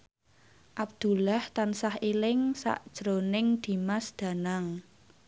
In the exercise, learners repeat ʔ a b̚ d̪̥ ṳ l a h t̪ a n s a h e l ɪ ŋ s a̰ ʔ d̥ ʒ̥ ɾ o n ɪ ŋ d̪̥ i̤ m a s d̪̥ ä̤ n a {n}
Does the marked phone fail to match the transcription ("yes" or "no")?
yes